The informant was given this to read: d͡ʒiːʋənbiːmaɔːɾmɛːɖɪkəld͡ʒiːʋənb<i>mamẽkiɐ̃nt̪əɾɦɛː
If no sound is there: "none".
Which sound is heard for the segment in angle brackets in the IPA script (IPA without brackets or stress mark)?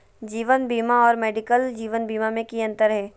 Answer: iː